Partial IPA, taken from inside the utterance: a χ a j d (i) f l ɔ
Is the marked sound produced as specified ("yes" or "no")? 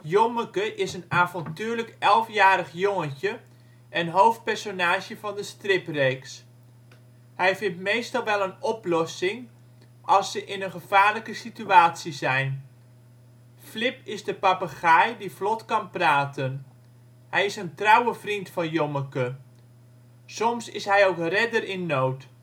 yes